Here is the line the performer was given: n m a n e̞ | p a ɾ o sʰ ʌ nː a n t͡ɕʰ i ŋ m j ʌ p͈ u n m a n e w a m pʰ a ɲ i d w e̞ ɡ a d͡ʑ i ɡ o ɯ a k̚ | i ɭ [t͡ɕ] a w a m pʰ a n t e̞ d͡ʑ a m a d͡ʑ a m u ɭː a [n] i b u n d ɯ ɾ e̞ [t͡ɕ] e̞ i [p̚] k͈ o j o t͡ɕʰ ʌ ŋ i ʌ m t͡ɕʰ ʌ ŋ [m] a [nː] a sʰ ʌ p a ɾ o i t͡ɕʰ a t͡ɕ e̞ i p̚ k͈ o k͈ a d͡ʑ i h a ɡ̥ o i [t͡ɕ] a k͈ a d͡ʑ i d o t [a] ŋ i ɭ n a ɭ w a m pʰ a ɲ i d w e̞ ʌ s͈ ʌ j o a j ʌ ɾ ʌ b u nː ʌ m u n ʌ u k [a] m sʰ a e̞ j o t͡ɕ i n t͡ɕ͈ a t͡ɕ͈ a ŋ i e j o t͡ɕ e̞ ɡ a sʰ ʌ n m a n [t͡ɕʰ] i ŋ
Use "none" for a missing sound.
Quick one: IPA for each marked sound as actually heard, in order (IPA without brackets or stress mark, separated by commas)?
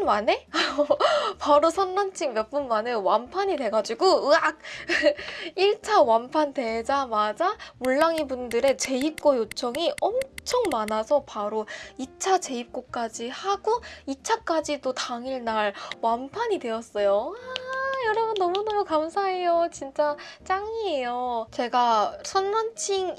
t͡ɕʰ, ŋ, t͡ɕ, p̚, m, n, t͡ɕʰ, a, a, t͡ɕʰ